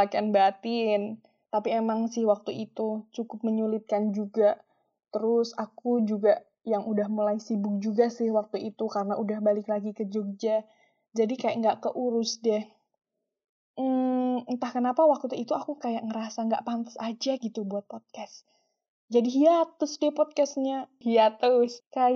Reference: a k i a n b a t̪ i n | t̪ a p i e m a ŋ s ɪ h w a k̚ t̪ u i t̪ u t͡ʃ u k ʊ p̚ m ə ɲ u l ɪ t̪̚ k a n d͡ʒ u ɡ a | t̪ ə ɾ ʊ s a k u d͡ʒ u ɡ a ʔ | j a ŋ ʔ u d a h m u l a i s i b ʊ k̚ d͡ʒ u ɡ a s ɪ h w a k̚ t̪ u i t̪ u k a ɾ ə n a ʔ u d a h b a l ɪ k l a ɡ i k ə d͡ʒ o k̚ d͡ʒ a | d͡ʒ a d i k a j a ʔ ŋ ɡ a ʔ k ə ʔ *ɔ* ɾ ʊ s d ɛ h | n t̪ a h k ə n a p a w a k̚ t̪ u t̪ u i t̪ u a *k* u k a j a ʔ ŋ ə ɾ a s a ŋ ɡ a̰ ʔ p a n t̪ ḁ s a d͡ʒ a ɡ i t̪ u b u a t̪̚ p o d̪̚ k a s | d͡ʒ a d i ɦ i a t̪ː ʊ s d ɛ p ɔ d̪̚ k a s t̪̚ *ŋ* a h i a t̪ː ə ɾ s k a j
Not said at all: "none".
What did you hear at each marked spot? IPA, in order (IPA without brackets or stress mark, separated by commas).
u, k, ɲ